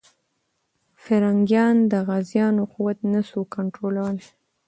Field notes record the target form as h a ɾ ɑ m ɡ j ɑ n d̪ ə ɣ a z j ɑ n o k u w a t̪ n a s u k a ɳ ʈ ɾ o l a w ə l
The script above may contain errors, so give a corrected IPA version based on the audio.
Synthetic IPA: f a ɾ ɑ ŋ ɡ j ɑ n d̪ ə ɣ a z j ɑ n o q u w a t̪ n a s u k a ɳ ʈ ɾ o l a w ə l